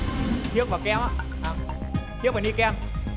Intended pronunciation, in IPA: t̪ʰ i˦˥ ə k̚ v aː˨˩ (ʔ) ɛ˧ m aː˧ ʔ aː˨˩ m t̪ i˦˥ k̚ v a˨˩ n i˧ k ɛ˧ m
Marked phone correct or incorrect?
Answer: incorrect